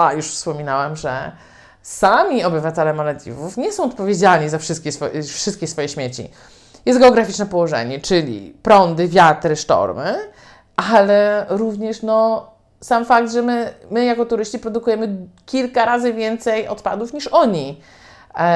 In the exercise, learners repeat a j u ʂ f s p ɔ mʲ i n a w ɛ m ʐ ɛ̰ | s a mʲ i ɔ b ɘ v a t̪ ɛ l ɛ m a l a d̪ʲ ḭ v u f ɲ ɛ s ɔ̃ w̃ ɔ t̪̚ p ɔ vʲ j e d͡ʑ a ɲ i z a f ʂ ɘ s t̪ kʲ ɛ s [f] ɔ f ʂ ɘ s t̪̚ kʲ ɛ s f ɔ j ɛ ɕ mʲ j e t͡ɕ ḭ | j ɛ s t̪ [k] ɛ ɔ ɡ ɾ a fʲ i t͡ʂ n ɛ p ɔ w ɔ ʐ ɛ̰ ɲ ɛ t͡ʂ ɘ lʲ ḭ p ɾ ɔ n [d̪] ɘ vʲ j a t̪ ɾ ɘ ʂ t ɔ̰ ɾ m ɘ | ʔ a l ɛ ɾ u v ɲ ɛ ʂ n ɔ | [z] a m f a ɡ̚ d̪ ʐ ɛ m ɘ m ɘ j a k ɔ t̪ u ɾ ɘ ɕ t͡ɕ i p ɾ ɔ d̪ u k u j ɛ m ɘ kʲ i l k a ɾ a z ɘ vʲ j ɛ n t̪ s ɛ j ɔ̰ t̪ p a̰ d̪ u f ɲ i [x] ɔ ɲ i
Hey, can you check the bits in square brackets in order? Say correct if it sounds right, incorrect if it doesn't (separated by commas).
correct, incorrect, correct, incorrect, incorrect